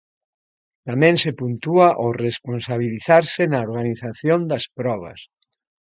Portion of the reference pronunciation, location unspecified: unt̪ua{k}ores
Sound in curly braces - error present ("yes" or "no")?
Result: yes